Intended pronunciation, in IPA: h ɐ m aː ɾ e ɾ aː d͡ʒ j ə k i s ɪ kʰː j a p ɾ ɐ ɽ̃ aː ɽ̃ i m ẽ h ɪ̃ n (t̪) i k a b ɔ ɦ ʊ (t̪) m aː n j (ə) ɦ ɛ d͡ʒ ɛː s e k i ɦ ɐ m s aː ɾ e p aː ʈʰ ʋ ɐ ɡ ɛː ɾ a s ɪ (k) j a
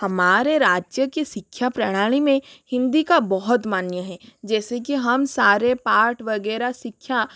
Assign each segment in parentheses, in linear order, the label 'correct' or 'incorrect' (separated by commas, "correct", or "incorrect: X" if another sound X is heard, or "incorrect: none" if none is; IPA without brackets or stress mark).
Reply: incorrect: d̪, correct, correct, incorrect: kʰ